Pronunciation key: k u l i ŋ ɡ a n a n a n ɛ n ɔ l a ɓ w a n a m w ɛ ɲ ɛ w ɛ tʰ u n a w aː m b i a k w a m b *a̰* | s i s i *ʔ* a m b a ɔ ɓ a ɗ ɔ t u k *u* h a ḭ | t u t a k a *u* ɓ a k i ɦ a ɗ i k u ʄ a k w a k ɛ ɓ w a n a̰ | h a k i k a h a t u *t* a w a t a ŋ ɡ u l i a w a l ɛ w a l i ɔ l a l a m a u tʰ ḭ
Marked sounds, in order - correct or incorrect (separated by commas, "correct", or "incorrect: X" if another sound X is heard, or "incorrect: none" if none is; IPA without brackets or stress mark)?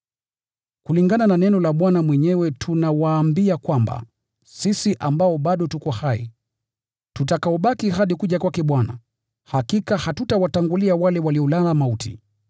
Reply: correct, correct, incorrect: ɔ, incorrect: ɔ, correct